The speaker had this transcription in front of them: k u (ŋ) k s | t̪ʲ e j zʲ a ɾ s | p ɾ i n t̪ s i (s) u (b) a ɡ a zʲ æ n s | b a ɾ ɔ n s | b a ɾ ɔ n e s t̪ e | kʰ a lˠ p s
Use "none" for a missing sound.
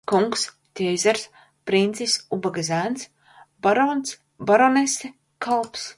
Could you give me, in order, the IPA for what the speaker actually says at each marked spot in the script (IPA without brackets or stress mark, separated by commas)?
ŋ, s, b